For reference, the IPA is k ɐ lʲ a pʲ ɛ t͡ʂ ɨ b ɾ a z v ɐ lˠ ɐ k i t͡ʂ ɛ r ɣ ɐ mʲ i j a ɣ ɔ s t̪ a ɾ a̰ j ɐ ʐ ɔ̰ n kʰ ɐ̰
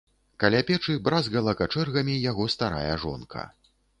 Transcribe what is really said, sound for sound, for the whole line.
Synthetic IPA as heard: k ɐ lʲ a pʲ ɛ t͡ʂ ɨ b ɾ a z ɣ ɐ lˠ ɐ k a t͡ʂ ɛ r ɣ ɐ mʲ i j a ɣ ɔ s t̪ a ɾ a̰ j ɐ ʐ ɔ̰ n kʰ ɐ̰